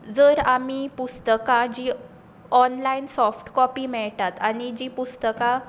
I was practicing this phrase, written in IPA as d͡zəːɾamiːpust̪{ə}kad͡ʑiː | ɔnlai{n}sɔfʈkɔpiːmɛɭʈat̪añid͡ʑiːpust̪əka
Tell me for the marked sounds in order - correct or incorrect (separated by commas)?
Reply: correct, correct